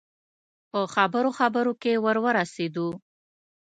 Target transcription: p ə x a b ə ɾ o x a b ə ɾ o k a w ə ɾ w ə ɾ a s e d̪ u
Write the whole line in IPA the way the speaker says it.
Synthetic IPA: p ə x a b ə ɾ o x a b ə ɾ o k e w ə ɾ w ə ɾ a s e d̪ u